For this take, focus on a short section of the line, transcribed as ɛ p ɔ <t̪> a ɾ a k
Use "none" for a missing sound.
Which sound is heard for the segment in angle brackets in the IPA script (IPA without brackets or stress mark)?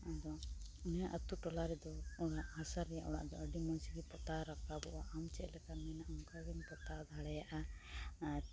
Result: t̪